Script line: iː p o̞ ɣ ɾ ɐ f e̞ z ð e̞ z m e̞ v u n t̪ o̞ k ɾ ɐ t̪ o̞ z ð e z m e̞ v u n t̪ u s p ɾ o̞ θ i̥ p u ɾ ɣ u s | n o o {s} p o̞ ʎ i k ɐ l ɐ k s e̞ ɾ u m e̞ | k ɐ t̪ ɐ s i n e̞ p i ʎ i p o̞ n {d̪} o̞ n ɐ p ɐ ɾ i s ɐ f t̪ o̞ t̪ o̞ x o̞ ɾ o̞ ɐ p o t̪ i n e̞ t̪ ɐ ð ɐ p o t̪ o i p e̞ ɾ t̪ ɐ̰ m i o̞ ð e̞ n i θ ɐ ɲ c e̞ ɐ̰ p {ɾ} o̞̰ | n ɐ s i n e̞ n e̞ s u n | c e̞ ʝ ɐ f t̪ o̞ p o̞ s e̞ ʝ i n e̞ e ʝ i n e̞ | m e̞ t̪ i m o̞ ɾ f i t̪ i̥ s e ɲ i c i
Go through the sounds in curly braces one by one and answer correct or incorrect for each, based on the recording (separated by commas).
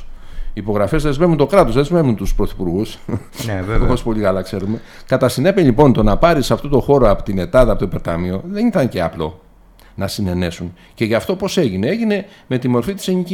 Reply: correct, incorrect, incorrect